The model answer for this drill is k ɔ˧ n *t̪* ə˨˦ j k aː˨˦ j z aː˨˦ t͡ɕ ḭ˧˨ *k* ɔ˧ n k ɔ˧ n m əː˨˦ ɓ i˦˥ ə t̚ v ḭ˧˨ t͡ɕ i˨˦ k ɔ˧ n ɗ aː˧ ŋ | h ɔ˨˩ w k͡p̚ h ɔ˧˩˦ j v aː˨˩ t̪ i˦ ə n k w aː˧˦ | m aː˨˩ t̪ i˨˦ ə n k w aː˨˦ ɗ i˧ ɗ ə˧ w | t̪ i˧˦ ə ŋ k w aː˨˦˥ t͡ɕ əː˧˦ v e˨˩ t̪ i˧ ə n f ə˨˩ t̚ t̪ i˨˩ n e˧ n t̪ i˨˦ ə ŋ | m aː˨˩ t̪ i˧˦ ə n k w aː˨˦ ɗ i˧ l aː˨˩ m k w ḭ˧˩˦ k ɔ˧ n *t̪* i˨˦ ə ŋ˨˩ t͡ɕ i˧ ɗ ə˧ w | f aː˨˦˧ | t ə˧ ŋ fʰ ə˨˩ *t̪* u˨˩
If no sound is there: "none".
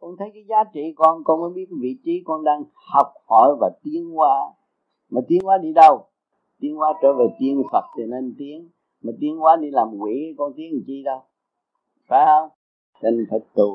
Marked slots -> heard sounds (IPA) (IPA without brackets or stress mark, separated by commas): t̪ʰ, k, t̪, t̪